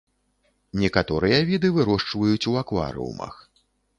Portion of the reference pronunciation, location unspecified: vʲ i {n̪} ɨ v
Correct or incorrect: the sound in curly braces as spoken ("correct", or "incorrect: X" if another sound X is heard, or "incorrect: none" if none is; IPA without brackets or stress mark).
incorrect: d̪